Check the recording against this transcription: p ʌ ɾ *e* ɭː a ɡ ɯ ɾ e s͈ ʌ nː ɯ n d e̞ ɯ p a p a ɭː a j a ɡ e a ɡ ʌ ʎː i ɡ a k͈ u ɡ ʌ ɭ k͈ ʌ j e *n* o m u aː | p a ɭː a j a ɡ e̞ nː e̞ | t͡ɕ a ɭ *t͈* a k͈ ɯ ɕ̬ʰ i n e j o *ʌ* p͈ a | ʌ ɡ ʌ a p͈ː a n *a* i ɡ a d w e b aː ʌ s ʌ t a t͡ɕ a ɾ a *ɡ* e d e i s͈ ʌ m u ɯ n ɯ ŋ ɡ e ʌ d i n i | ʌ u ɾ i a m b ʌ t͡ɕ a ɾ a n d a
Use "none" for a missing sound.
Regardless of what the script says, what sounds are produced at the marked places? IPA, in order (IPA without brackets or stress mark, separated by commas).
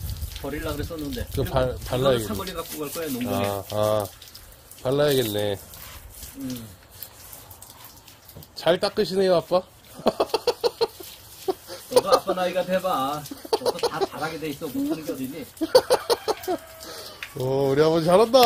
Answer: i, n, t͈, a, a, ɡ